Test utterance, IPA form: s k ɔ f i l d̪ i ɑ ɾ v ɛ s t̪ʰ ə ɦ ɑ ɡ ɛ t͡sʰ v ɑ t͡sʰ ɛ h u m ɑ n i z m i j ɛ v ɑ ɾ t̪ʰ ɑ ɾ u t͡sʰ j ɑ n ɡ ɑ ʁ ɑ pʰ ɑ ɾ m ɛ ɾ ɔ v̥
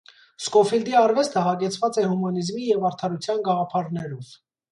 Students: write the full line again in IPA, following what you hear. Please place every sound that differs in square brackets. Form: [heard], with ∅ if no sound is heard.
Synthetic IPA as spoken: s k ɔ f i l d̪ i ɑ ɾ v ɛ s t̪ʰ ə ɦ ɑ ɡ ɛ t͡sʰ v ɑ [t͡s] ɛ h u m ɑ n i z m i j ɛ v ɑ ɾ t̪ʰ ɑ ɾ u t͡sʰ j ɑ n ɡ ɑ ʁ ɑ pʰ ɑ ɾ [n] ɛ ɾ ɔ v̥